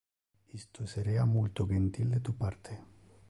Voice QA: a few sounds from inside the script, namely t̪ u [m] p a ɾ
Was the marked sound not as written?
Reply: yes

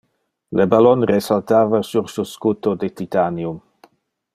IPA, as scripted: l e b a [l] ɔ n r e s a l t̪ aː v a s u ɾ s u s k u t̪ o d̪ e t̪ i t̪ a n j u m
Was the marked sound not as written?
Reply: no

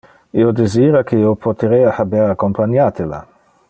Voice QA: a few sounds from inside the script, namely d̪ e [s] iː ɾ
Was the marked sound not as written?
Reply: yes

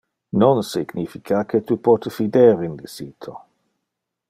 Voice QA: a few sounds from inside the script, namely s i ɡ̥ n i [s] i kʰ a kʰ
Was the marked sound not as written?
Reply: yes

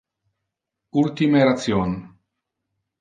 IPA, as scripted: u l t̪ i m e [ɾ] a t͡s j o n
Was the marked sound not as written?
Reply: no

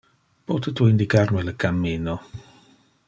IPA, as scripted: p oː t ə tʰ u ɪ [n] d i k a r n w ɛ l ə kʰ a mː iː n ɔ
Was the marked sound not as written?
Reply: no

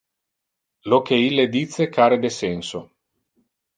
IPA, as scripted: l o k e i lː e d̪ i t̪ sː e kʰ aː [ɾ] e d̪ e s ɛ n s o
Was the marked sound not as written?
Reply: no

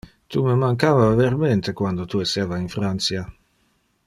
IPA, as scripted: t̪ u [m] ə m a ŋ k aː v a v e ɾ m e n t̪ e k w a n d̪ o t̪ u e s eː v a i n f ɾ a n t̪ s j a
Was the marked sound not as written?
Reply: no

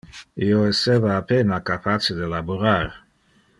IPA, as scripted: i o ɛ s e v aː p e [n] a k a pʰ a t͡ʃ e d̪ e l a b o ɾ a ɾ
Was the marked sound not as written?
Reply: no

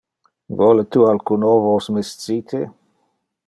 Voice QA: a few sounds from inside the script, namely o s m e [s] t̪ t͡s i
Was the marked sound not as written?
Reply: no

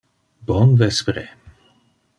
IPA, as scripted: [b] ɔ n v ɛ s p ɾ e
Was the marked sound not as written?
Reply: no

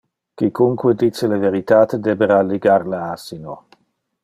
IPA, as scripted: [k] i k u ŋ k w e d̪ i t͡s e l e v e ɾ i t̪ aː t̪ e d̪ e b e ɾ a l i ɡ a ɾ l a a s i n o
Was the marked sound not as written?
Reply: no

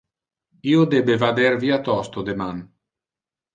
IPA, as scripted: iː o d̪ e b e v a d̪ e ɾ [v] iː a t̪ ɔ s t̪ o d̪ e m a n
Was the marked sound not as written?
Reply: no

